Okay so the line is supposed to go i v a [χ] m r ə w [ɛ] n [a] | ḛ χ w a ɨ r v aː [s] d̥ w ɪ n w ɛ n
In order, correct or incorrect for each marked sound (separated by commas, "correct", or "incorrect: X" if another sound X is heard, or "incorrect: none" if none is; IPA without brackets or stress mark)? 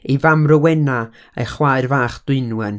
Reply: incorrect: none, correct, correct, incorrect: χ